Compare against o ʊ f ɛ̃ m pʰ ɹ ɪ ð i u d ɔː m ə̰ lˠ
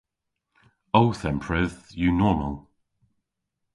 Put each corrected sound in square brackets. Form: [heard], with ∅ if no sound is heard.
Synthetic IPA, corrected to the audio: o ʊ [θ] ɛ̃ m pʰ ɹ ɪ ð [j] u [n] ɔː m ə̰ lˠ

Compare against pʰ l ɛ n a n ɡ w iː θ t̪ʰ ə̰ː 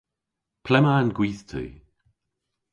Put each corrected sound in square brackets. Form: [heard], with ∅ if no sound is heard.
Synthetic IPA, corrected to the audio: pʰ l ɛ [m] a n ɡ w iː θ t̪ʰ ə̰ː

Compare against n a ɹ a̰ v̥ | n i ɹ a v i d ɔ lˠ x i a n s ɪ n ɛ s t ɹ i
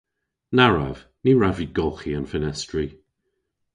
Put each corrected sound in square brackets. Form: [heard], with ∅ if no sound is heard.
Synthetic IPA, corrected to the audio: n a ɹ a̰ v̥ | n i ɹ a v i [ɡ] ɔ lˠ x i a n [f] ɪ n ɛ s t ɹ i

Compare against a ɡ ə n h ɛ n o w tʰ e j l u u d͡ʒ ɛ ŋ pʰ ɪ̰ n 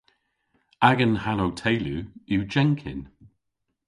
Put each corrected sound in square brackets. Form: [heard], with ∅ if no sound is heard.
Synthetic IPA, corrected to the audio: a ɡ ə n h [a] n o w tʰ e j l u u d͡ʒ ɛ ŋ [kʰ] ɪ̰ n

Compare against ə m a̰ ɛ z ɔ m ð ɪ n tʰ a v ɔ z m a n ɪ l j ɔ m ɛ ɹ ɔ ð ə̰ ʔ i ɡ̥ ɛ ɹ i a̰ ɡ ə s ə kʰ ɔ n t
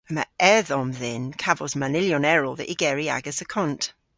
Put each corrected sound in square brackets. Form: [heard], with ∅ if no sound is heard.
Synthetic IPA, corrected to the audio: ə m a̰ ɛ [ð] ɔ m ð ɪ n [kʰ] a v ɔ z m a n ɪ l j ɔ [n] ɛ ɹ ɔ ð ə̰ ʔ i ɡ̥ ɛ ɹ i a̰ ɡ ə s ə kʰ ɔ n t

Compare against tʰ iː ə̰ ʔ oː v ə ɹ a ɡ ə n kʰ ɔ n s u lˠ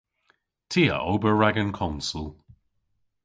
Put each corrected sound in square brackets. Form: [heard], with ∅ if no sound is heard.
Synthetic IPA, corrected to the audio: tʰ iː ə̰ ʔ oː [b] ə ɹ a ɡ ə n kʰ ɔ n s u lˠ

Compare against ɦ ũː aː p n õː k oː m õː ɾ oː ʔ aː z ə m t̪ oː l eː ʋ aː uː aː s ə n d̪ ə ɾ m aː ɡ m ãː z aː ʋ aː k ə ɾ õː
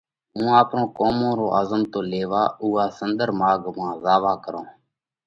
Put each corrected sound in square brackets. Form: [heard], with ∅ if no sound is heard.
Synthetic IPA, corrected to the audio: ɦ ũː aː p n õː k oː m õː ɾ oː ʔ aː z ə m t̪ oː l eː ʋ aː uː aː s ə n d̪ ə ɾ m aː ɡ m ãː z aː ʋ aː k ə ɾ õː

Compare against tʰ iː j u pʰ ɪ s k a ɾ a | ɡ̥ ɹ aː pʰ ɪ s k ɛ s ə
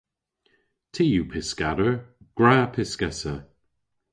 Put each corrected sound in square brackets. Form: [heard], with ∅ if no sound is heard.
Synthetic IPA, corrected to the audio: tʰ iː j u pʰ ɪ s k a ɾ [ə] | ɡ̥ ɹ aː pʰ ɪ s k ɛ s ə

